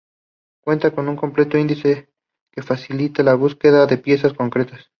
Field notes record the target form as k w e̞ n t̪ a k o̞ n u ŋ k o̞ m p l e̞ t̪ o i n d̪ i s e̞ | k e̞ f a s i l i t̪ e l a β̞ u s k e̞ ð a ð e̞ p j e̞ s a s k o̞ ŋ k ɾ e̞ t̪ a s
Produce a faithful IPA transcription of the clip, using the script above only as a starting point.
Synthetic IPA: k w e̞ n t̪ a k o̞ n u ŋ k o̞ m p l e̞ t̪ o i n d̪ i s e̞ | k e̞ f a s i l i t̪ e l a β̞ u s k e̞ ð a ð e̞ p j e̞ s a s k o̞ ŋ k ɾ e̞ t̪ a s